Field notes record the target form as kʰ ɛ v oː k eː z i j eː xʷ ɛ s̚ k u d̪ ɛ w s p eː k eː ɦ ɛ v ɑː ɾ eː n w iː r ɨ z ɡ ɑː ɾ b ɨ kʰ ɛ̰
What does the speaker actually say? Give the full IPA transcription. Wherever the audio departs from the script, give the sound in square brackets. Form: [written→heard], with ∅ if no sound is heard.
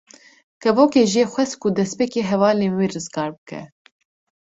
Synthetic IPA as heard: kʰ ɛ v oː k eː [z→ʒ] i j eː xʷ ɛ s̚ k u d̪ ɛ [w→∅] s p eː k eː ɦ ɛ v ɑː [ɾ→l] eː n w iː r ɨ z ɡ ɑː ɾ b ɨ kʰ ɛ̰